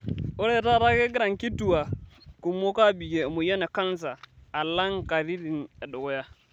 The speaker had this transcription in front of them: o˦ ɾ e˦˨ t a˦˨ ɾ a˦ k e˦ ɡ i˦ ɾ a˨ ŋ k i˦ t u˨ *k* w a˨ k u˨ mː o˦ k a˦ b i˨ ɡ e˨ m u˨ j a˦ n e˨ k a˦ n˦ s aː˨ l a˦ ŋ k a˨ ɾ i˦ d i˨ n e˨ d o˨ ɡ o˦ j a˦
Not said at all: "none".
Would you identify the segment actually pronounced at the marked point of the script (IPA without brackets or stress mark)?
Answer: none